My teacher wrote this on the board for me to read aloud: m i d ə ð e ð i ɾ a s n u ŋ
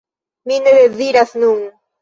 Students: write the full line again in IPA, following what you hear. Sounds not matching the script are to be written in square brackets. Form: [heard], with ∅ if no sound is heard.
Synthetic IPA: m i [n] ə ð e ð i ɾ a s n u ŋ